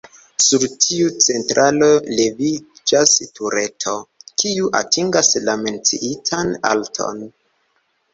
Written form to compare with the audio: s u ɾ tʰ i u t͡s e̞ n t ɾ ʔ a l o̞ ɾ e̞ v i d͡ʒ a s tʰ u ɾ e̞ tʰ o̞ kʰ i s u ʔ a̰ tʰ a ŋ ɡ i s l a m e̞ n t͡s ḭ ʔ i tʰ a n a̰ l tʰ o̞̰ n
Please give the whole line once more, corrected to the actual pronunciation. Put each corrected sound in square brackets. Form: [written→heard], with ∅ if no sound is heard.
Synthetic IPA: s u ɾ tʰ i u t͡s e̞ n t ɾ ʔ a l o̞ [ɾ→l] e̞ v i d͡ʒ a s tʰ u ɾ e̞ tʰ o̞ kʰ i [s→∅] u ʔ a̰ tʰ [a→i] ŋ ɡ [i→a] s l a m e̞ n t͡s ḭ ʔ i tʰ a n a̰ l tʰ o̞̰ n